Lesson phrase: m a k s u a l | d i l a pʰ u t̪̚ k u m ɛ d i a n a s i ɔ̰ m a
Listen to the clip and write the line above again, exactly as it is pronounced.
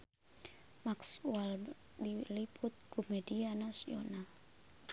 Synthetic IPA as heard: m a k s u a l | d i l i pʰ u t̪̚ k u m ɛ d i a n a s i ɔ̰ n a